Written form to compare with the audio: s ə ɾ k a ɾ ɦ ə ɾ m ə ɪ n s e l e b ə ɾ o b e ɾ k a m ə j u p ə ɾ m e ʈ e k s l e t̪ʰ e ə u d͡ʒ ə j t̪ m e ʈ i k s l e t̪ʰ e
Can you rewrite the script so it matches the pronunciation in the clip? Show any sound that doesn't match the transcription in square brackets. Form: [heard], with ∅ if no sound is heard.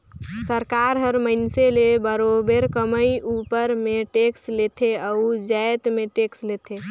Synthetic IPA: s ə ɾ k a ɾ ɦ ə ɾ m ə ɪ n s e l e b ə ɾ o b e ɾ k [ə] m ə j u p ə ɾ m e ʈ e k s l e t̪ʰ e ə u d͡ʒ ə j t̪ m e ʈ [e] k s l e t̪ʰ e